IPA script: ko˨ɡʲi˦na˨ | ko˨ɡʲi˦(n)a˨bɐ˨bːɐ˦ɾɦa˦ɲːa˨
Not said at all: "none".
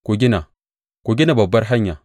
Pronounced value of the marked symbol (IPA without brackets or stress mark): n